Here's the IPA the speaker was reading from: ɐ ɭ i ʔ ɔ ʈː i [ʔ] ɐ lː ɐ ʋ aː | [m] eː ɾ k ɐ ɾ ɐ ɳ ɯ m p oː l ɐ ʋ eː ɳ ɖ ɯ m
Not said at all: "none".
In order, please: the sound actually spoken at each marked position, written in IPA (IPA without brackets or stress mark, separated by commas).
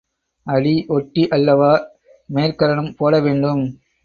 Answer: ʔ, m